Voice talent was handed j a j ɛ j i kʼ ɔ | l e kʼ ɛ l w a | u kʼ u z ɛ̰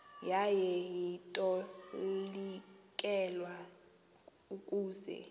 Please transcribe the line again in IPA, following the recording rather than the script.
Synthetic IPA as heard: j a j ɛ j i tʼ ɔ | l i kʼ ɛ l w a | u kʼ uː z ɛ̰